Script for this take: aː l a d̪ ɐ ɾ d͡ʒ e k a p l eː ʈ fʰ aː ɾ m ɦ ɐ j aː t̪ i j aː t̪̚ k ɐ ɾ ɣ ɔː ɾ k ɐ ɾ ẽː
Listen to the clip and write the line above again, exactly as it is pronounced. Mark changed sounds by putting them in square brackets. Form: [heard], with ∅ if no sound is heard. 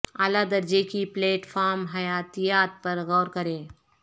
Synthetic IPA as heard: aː l a d̪ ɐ ɾ d͡ʒ e k [i] p l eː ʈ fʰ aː ɾ m ɦ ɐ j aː t̪ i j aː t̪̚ [p] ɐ ɾ ɣ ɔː ɾ k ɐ ɾ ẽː